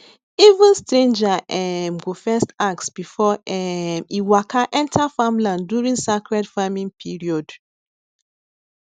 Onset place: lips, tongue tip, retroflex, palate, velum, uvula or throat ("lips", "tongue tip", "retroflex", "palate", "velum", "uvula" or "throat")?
lips